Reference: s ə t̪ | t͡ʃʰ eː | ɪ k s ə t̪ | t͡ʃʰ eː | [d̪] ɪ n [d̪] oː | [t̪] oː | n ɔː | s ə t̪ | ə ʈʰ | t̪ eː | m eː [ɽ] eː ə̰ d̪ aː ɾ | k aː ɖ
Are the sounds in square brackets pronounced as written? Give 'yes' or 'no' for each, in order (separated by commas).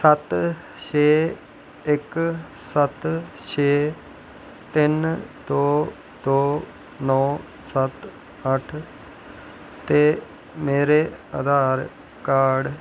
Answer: no, yes, no, no